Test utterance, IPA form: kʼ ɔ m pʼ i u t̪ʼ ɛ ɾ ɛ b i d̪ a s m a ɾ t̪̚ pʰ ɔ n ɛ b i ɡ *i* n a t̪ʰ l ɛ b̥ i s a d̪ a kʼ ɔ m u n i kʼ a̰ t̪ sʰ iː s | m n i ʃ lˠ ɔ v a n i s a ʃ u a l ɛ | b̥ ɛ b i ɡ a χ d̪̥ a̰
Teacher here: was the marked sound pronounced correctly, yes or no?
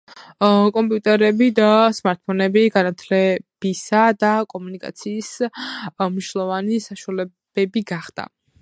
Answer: no